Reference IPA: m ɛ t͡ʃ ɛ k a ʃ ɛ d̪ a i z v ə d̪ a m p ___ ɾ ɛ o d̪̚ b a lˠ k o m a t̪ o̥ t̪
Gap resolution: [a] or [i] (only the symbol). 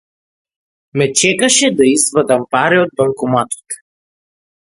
a